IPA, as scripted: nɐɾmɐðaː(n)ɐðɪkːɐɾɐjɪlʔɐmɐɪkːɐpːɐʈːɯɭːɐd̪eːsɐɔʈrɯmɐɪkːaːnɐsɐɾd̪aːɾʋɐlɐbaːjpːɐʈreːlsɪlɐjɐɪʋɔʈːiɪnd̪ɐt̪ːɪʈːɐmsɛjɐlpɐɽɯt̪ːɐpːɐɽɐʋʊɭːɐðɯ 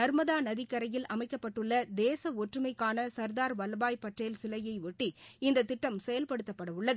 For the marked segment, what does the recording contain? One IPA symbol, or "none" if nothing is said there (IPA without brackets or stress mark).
n